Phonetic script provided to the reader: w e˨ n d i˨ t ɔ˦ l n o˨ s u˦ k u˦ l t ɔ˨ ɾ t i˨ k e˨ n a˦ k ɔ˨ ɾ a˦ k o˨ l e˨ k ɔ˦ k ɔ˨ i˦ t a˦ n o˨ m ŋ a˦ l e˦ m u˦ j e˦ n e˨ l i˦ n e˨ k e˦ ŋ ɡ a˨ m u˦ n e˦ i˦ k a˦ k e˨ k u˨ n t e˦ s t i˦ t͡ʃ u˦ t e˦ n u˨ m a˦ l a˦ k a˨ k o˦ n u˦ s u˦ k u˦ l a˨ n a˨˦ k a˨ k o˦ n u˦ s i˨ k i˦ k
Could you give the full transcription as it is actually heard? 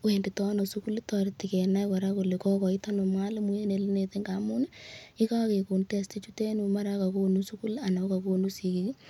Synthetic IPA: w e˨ n d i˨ t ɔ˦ n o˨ s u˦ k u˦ l t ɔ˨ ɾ t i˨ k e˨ n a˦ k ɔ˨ ɾ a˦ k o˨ l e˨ k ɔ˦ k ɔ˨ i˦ t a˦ n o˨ m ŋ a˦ l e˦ m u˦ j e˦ n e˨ l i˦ n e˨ t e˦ ŋ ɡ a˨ m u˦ n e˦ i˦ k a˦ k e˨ k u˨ n t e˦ s t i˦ t͡ʃ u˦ t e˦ n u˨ m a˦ ɾ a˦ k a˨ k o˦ n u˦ s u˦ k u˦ l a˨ n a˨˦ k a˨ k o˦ n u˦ s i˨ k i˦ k